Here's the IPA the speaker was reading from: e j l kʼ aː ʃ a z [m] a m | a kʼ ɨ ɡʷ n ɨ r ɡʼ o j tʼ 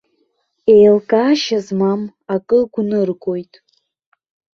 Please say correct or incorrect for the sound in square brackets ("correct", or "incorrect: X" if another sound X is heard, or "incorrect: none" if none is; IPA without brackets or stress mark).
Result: correct